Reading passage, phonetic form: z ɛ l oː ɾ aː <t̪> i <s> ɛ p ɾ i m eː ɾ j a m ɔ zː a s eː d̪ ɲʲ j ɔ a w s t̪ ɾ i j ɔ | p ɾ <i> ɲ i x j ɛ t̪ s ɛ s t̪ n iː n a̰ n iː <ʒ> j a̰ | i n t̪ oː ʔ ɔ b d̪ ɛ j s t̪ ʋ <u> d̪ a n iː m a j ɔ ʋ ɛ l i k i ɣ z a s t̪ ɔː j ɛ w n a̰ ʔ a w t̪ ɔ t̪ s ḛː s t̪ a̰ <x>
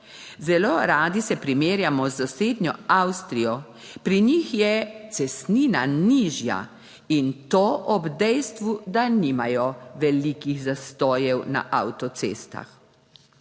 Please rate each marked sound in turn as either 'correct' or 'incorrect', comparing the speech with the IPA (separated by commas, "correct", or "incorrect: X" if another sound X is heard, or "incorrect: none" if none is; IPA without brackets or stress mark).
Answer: incorrect: d̪, correct, correct, correct, correct, correct